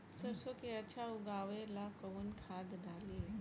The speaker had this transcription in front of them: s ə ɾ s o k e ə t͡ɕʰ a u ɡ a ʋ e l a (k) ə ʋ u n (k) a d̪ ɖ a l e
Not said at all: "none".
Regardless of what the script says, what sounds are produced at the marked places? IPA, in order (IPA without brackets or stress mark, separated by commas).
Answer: k, kʰ